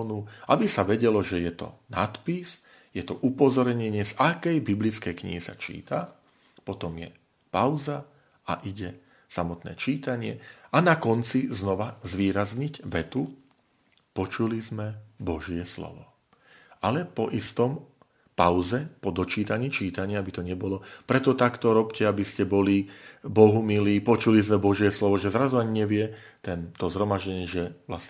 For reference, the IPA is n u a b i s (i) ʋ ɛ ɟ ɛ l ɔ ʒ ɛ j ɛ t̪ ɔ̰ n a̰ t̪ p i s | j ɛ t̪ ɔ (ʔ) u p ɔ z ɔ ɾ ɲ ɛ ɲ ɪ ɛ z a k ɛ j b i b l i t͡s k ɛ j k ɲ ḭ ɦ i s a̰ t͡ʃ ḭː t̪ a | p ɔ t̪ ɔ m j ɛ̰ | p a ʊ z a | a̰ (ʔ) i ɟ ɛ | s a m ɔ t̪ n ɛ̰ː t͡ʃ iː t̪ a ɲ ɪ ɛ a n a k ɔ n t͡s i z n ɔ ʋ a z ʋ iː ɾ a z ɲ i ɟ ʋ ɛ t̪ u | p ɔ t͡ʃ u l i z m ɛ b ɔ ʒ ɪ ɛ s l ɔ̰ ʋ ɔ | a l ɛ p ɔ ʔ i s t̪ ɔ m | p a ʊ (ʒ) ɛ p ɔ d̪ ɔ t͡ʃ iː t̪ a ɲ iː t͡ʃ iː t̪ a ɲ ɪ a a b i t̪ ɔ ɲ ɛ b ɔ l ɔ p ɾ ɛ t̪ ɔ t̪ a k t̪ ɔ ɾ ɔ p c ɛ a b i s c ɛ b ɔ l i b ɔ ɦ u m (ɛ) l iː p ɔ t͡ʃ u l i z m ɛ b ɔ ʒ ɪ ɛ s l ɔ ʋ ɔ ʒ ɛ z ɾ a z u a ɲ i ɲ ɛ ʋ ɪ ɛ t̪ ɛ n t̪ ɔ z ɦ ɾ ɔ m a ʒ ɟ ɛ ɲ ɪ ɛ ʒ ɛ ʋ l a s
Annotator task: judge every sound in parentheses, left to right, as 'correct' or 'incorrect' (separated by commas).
incorrect, correct, correct, incorrect, incorrect